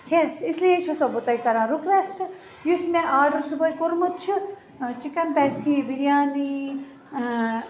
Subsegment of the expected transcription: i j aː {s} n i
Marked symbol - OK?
no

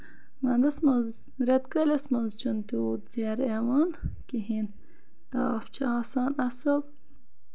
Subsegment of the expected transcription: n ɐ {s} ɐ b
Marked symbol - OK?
yes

